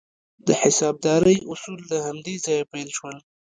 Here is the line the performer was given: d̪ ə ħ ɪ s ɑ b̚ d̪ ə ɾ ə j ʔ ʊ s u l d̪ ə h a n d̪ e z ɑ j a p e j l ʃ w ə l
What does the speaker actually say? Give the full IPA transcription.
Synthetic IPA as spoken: d̪ ə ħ ɪ s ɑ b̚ d̪ ɑ ɾ ə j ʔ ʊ s u l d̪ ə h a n d̪ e z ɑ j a p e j l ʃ w ə l